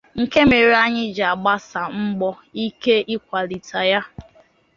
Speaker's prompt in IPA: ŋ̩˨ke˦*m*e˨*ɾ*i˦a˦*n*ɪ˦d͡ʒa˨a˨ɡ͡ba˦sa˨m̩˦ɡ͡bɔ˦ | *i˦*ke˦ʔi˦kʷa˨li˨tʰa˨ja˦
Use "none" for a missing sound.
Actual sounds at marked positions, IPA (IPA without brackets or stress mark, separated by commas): m, ɾ, ɲ, i˦